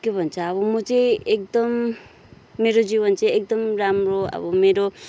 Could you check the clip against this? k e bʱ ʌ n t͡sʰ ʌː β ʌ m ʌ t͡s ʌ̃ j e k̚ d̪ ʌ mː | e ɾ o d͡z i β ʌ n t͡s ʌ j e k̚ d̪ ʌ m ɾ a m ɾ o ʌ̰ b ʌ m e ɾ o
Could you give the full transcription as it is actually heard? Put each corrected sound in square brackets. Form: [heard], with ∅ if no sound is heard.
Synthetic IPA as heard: k e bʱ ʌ n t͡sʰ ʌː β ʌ m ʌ t͡s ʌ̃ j e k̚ d̪ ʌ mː | e ɾ o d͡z i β ʌ n t͡s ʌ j e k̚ d̪ ʌ m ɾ a m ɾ o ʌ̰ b ʌ m e ɾ o

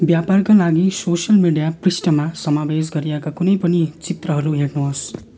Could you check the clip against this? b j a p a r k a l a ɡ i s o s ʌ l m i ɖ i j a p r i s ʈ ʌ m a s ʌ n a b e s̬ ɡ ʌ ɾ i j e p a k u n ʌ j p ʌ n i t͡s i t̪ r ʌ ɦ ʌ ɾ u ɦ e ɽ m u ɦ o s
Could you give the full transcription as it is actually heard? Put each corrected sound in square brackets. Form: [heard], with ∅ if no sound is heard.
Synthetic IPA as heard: b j a p a r k a l a ɡ i s o s ʌ l m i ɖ i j a p r i s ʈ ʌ m a s ʌ [m] a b e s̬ ɡ ʌ ɾ i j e [k] a k u n ʌ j p ʌ n i t͡s i t̪ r ʌ ɦ ʌ ɾ u ɦ e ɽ [n] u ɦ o s

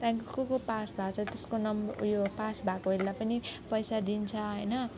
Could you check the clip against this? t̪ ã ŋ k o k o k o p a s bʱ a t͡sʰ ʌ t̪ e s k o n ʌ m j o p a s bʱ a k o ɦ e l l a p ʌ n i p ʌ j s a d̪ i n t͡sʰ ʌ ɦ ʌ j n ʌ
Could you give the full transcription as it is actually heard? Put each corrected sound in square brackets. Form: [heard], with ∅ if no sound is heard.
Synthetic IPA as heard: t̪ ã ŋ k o k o k o p a s bʱ a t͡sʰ ʌ t̪ e s k o n ʌ m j o p a s bʱ a k o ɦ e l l a p ʌ n i p ʌ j s a d̪ i n t͡sʰ ʌ ɦ ʌ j n ʌ

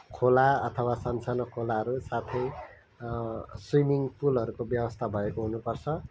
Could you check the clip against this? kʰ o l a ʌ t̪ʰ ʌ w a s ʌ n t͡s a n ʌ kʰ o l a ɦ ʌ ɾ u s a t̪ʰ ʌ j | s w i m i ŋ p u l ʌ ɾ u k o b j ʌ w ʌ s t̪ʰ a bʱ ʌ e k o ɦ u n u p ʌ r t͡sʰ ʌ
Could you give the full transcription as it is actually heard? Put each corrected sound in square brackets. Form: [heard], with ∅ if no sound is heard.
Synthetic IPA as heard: kʰ o l a ʌ t̪ʰ ʌ w a s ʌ n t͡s a n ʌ kʰ o l a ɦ ʌ ɾ u s a t̪ʰ ʌ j | s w i m i ŋ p u l ʌ ɾ u k o b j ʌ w ʌ s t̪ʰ a bʱ ʌ e k o ɦ u n u p ʌ r t͡sʰ ʌ

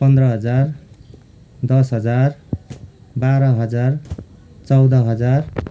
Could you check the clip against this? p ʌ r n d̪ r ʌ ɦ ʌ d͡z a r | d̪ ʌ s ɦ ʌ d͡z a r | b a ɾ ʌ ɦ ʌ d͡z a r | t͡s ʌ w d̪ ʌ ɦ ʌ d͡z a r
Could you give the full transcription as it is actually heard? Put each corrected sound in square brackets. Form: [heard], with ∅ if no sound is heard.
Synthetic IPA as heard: p ʌ [∅] n d̪ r ʌ ɦ ʌ d͡z a r | d̪ ʌ s ɦ ʌ d͡z a r | b a ɾ ʌ ɦ ʌ d͡z a r | t͡s ʌ w d̪ ʌ ɦ ʌ d͡z a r

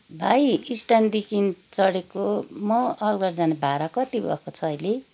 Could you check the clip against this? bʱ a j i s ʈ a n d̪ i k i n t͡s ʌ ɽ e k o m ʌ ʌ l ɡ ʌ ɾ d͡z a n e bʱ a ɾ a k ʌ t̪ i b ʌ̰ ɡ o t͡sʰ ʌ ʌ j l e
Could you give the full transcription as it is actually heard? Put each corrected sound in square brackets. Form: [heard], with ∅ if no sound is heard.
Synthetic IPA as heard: bʱ a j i s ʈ a n d̪ i k i n t͡s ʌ ɽ e k o m ʌ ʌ l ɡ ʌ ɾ d͡z a n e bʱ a ɾ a k ʌ t̪ i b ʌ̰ [k] o t͡sʰ ʌ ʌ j l e

